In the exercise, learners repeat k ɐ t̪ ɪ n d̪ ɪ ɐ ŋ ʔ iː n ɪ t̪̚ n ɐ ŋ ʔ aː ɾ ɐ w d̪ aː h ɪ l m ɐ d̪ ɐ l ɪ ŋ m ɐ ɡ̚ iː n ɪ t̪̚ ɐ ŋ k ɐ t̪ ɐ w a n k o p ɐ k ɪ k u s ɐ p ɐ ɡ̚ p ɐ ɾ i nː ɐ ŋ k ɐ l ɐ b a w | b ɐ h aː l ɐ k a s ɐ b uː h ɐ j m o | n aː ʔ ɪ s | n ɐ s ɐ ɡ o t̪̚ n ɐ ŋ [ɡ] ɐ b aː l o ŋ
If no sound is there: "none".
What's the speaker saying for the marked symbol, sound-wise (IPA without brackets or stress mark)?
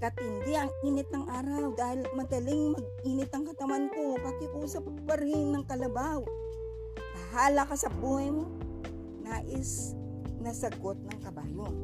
k